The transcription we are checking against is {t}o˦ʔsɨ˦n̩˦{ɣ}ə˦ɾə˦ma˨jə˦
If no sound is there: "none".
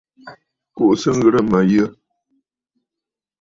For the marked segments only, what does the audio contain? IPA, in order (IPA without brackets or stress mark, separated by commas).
k, ɣ